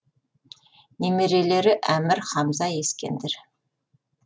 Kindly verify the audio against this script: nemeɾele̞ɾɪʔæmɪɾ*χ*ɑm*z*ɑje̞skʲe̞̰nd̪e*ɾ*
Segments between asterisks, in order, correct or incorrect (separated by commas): correct, correct, correct